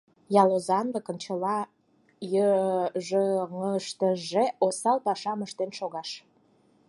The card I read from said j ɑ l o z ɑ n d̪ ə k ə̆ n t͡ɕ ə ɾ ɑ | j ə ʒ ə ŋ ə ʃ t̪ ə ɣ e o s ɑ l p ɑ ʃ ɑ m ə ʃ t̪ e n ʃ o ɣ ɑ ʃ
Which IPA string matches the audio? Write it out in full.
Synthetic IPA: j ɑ l o z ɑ n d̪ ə k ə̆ n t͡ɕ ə l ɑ | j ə ʒ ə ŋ ə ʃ t̪ ə ʒ e o s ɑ l p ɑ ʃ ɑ m ə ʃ t̪ e n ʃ o ɣ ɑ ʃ